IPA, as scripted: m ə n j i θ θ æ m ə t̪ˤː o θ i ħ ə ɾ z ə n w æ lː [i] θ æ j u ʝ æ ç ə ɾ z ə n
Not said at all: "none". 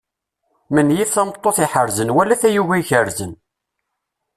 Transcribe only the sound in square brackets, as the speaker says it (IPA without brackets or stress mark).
æ